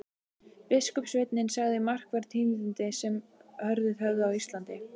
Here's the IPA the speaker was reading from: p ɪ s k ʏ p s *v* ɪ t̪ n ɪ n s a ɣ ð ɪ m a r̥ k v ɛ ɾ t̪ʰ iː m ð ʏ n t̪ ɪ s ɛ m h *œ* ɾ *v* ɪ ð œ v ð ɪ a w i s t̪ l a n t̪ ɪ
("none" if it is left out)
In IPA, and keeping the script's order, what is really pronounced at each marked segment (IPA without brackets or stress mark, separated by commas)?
v, œ, ð